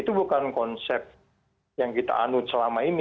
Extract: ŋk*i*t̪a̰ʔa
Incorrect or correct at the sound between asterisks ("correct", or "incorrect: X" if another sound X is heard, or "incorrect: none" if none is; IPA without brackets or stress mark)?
correct